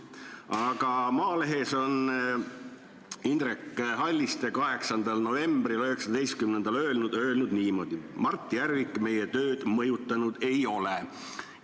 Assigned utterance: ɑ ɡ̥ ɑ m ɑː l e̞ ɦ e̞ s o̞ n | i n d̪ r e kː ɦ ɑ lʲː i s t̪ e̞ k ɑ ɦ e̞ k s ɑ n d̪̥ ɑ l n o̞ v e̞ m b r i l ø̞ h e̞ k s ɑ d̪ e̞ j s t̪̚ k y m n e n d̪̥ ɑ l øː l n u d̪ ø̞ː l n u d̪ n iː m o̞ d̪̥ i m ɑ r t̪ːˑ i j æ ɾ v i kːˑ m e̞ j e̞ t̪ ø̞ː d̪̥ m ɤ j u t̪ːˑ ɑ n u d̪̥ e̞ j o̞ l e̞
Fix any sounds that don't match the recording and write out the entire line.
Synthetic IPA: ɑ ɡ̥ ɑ m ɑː l e̞ ɦ e̞ s o̞ n | i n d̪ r e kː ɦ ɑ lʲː i s t̪ e̞ k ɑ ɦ e̞ k s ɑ n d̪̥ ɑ l n o̞ v e̞ m b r i l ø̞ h e̞ k s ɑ d̪ e̞ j s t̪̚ k y m n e n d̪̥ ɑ l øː l n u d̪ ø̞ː l n u d̪ n iː m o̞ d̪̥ i m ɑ r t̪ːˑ i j æ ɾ v i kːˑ m e̞ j e̞ t̪ ø̞ː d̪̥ m ɤ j u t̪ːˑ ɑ n u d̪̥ e̞ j o̞ l e̞

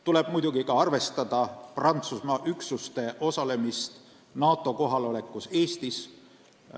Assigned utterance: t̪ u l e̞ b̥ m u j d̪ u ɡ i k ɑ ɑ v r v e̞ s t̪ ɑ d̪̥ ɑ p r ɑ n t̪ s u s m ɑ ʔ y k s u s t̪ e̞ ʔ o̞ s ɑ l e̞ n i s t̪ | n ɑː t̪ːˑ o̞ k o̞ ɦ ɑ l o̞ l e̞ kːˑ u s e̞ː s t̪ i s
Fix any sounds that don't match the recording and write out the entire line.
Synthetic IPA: t̪ u l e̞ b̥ m u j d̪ u ɡ i k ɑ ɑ r v e̞ s t̪ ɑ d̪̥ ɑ p r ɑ n t̪ s u s m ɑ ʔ y k s u s t̪ e̞ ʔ o̞ s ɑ l e̞ m i s t̪ | n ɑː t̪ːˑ o̞ k o̞ ɦ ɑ l o̞ l e̞ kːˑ u s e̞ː s t̪ i s

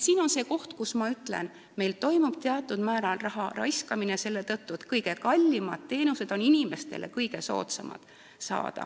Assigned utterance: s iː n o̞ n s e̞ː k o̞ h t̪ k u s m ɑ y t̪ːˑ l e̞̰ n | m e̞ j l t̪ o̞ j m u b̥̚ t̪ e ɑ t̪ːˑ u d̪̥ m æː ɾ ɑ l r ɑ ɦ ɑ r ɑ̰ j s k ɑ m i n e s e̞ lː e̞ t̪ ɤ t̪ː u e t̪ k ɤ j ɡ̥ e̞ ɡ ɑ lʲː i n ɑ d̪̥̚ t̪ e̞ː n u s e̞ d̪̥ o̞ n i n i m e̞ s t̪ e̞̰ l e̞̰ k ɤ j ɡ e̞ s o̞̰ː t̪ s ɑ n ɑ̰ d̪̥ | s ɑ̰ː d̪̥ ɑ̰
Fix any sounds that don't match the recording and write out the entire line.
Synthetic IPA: s iː n o̞ n s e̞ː k o̞ h t̪ k u s m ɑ y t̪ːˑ l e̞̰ n | m e̞ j l t̪ o̞ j m u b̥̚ t̪ e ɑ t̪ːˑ u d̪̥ m æː ɾ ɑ l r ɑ ɦ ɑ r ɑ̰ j s k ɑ m i n e s e̞ lː e̞ t̪ ɤ t̪ː u e t̪ k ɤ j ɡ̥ e̞ k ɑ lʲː i m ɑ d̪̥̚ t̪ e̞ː n u s e̞ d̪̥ o̞ n i n i m e̞ s t̪ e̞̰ l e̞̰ k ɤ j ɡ e̞ s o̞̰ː t̪ s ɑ m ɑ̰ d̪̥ | s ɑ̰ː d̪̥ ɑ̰

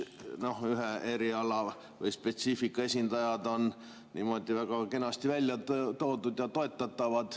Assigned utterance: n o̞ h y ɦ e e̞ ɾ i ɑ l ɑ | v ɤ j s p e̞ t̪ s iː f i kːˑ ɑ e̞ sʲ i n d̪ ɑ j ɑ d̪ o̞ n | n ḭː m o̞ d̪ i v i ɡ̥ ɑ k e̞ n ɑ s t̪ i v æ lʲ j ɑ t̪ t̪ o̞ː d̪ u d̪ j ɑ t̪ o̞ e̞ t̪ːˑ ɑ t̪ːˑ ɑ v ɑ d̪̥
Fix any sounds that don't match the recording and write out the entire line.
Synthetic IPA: n o̞ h y ɦ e e̞ ɾ i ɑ l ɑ | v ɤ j s p e̞ t̪ s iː f i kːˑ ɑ e̞ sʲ i n d̪ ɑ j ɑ d̪ o̞ n | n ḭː m o̞ d̪ i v æ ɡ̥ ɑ k e̞ n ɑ s t̪ i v æ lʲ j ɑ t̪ t̪ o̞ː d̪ u d̪ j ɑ t̪ o̞ e̞ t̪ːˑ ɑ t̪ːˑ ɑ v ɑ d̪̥

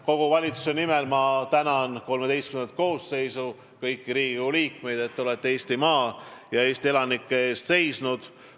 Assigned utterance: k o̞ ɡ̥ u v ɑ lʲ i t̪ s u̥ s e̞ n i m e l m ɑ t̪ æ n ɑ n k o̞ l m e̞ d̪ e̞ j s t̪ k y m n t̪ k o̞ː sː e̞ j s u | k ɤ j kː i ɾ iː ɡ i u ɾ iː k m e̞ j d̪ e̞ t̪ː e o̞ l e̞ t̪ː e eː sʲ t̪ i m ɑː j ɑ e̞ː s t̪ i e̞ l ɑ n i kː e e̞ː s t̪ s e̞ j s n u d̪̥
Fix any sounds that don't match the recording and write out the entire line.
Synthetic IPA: k o̞ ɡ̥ u v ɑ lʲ i t̪ s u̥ s e̞ n i m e l m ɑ t̪ æ n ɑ n k o̞ l m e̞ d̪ e̞ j s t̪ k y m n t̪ k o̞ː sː e̞ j s u | k ɤ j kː i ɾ iː ɡ i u l iː k m e̞ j d̪ e̞ t̪ː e o̞ l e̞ t̪ː e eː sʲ t̪ i m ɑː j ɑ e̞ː s t̪ i e̞ l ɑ n i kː e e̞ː s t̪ s e̞ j s n u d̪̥

